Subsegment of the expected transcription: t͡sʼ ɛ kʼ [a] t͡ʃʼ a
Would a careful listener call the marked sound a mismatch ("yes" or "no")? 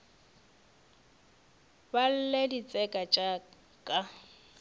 no